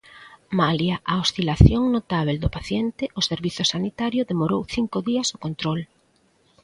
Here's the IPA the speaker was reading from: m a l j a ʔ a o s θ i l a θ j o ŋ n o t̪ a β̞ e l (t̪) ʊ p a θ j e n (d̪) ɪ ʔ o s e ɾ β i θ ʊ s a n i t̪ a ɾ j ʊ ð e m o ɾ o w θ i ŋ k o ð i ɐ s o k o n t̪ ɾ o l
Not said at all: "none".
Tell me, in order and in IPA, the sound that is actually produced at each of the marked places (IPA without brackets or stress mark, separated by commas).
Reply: d̪, t̪